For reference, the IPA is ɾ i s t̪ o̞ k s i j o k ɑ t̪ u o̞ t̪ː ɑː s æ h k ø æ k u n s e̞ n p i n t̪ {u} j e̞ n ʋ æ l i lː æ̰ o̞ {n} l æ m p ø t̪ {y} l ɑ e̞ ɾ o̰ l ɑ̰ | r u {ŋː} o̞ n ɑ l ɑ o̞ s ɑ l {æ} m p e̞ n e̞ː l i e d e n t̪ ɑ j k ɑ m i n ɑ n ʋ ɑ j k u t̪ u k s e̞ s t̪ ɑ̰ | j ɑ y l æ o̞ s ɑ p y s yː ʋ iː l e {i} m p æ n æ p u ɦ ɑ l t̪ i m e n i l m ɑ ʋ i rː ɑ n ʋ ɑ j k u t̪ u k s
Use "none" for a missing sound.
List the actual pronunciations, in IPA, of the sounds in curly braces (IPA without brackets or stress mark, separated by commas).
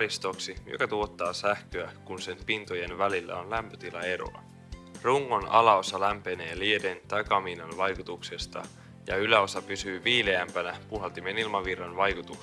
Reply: o, n, i, ŋː, æ, æ